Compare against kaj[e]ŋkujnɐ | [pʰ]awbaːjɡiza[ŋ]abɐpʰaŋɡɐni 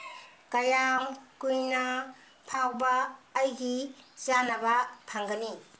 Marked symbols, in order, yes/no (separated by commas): no, yes, no